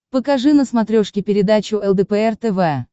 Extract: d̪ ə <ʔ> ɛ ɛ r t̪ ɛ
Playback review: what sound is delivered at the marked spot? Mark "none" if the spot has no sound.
p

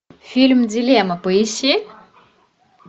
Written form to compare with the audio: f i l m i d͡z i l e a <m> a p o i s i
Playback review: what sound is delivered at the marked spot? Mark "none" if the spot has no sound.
m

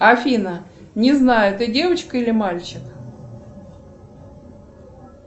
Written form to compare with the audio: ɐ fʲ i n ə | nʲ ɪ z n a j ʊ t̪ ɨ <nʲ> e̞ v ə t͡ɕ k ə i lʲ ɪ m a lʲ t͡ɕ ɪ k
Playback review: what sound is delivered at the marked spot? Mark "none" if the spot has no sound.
dʲ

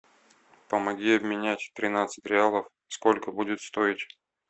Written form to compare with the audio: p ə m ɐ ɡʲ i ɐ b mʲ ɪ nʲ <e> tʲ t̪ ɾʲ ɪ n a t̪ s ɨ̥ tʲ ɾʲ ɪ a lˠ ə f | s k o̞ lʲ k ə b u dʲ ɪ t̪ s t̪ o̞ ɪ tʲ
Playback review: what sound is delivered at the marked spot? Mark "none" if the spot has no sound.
æ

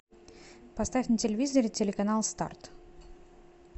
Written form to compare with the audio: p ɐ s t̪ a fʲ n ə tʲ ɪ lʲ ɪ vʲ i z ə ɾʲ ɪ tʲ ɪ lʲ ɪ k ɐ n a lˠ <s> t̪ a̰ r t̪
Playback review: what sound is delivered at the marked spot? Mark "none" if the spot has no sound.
s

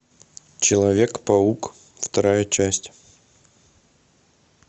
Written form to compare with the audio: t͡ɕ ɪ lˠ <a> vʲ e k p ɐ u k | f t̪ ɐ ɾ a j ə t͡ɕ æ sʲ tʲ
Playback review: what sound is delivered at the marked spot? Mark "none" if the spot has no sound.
ɐ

